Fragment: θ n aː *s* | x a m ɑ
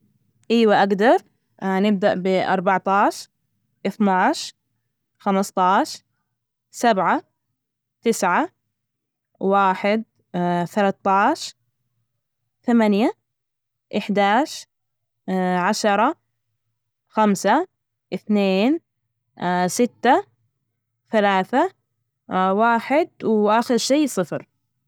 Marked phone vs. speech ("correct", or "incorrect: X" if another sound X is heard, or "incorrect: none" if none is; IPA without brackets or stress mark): incorrect: ʃ